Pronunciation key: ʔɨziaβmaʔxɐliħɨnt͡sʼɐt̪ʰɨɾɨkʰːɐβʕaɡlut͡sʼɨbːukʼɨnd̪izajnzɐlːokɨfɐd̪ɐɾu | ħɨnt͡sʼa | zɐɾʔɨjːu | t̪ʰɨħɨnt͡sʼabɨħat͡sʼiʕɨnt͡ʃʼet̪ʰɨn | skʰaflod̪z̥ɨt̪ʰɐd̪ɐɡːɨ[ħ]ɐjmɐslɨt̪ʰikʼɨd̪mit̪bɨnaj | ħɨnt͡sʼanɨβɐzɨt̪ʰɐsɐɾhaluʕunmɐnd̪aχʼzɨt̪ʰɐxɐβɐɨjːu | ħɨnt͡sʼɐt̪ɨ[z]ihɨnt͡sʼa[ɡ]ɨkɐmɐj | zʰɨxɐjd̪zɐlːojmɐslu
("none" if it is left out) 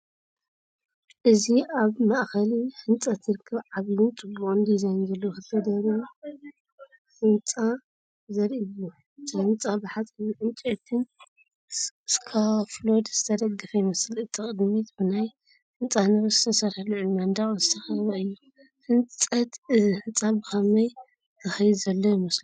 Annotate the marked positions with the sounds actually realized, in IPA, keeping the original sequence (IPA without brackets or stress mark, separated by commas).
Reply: f, z, b